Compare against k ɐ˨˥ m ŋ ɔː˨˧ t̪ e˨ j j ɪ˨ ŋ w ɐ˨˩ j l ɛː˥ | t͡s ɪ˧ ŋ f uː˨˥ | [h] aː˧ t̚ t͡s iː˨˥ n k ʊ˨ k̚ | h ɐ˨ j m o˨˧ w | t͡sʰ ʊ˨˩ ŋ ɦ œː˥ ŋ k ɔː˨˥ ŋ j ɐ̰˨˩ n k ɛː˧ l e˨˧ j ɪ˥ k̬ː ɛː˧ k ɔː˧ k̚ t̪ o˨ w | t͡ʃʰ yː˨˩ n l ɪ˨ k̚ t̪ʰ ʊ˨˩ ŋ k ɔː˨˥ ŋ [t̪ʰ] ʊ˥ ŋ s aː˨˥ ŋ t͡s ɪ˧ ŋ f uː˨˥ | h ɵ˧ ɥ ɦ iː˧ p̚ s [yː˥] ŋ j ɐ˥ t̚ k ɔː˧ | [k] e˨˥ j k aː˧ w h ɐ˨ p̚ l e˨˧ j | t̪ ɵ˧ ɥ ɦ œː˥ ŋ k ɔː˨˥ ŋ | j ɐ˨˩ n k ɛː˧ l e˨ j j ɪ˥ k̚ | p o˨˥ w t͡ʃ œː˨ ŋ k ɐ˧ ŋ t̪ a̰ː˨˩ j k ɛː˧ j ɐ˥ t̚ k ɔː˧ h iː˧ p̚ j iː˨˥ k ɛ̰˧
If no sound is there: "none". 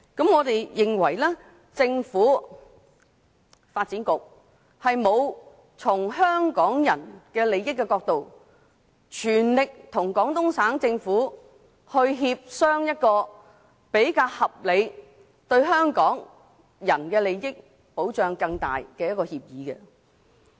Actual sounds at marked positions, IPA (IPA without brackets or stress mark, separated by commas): f, t̪, œː˥, p